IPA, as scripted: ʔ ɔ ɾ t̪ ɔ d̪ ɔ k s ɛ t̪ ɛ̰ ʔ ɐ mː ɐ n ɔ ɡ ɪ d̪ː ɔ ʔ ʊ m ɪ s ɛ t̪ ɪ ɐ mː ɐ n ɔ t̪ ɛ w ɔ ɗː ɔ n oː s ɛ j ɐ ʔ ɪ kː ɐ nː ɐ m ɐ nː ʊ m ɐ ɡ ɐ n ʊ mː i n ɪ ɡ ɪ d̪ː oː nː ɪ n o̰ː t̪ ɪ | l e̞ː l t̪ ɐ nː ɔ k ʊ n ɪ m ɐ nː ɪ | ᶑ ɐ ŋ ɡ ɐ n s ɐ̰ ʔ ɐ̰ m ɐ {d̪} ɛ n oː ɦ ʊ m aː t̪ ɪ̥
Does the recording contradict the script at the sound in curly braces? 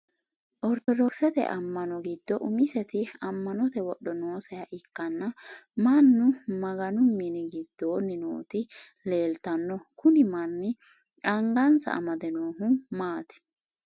no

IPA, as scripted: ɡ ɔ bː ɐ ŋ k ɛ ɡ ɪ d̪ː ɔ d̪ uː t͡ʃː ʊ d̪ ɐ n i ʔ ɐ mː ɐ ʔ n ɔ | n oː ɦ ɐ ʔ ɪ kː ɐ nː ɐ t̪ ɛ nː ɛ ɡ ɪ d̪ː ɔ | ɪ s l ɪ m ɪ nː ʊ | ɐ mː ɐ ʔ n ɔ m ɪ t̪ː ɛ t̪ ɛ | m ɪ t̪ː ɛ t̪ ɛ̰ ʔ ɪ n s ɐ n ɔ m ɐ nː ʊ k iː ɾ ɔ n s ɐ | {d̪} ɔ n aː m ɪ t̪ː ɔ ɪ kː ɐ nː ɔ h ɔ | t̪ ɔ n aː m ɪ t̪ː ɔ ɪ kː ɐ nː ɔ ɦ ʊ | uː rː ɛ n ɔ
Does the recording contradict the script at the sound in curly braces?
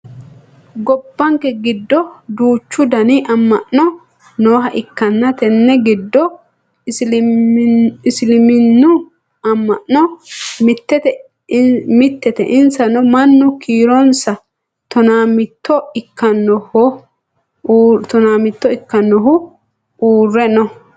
yes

